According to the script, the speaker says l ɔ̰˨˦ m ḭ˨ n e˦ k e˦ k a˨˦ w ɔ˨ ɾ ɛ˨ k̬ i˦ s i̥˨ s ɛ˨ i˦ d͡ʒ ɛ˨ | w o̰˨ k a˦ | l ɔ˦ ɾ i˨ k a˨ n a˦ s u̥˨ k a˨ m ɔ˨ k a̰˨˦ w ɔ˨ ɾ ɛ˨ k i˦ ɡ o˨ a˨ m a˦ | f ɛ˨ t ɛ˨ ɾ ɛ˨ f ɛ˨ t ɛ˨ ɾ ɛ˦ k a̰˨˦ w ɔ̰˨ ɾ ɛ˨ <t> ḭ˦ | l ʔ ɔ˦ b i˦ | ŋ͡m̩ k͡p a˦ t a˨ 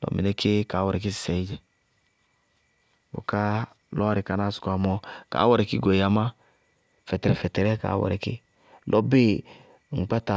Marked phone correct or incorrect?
incorrect